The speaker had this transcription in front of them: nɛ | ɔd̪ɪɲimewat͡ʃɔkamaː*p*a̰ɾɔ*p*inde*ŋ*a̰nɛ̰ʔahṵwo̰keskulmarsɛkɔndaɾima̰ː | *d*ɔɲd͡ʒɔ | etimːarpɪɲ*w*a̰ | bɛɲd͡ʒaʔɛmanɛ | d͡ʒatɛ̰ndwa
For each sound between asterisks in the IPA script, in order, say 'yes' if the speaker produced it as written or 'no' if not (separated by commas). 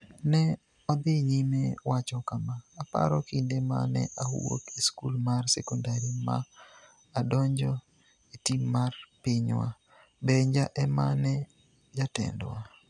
yes, no, no, yes, yes